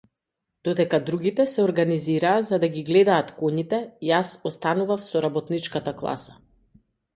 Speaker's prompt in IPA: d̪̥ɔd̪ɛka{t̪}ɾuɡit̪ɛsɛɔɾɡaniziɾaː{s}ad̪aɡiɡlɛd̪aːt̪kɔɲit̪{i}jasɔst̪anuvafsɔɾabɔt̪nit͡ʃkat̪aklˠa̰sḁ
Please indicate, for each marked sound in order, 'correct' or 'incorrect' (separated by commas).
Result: incorrect, incorrect, incorrect